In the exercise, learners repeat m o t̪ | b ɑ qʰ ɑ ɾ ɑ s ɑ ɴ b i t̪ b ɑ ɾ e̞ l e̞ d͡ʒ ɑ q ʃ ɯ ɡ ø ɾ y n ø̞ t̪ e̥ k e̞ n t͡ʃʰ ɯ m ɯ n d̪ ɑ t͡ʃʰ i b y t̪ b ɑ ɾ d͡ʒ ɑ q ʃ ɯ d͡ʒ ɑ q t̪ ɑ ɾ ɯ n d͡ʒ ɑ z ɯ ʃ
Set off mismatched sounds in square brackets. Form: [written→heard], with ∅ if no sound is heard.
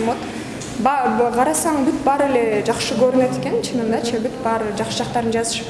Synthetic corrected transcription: m o t̪ | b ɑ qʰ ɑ ɾ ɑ s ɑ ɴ b [i→y] t̪ b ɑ ɾ e̞ l e̞ d͡ʒ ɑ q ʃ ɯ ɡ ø ɾ y n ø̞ t̪ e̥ k e̞ n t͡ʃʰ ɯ [m→n] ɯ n d̪ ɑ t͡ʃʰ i b y t̪ b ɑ ɾ d͡ʒ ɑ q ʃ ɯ d͡ʒ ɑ q t̪ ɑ ɾ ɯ n d͡ʒ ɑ z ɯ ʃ